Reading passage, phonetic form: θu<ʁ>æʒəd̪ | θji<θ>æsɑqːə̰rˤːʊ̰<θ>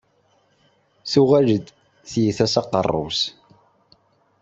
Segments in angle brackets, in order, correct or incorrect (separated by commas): correct, correct, incorrect